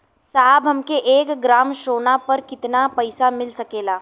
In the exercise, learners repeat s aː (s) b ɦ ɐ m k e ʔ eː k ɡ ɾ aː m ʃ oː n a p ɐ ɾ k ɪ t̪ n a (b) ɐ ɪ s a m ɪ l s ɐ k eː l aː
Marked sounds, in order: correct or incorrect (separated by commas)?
incorrect, incorrect